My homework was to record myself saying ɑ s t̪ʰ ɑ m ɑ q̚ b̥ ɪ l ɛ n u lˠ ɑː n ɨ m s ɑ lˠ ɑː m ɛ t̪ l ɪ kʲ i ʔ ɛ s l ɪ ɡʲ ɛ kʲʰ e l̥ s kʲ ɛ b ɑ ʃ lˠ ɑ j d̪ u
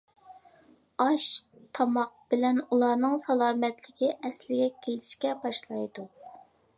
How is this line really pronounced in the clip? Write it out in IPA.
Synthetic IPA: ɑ ʃ t̪ʰ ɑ m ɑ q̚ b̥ ɪ l ɛ n u lˠ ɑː n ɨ ŋ s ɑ lˠ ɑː m ɛ t̪ l ɪ kʲ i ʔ ɛ s l ɪ ɡʲ ɛ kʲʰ e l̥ ʃ kʲ ɛ b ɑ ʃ lˠ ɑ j d̪ u